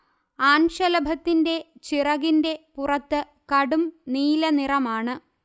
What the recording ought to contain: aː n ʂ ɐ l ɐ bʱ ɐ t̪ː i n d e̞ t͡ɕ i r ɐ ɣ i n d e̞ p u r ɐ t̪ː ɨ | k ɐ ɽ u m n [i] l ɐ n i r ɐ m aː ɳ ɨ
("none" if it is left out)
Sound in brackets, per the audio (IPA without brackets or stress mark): iː